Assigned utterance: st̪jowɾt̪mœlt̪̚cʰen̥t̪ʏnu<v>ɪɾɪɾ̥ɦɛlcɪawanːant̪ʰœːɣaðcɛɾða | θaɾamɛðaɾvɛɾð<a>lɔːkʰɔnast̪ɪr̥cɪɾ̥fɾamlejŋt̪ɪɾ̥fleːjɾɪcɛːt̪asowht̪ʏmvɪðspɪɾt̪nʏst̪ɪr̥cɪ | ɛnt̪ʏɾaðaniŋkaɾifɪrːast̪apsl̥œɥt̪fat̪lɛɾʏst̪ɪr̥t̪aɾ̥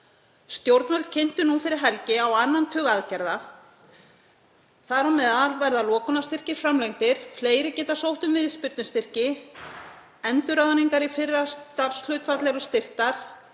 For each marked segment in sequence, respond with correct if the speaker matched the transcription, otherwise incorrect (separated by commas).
incorrect, correct